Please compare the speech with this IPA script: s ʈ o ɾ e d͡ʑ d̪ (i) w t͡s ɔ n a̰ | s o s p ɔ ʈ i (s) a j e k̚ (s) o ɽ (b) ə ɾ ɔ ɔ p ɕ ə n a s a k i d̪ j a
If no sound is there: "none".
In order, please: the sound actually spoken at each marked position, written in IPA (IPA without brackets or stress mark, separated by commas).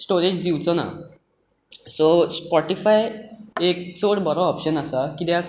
i, f, t͡s, b